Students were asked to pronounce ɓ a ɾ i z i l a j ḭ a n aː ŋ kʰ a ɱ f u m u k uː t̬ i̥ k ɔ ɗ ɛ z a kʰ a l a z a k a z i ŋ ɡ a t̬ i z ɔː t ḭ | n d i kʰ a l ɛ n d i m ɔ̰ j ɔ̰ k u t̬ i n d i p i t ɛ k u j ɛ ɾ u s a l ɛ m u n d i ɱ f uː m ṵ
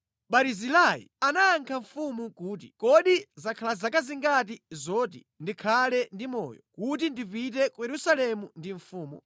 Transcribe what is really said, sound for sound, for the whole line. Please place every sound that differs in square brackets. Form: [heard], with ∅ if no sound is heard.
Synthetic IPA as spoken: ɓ a ɾ i z i l a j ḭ a n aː ŋ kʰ a ɱ f u m u k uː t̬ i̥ k ɔ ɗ [i] z a kʰ a l a z a k a z i ŋ ɡ a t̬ i z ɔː t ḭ | n d i kʰ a l ɛ n d i m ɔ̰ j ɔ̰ k u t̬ i n d i p i t ɛ k u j ɛ ɾ u s a l ɛ m u n d i ɱ f uː m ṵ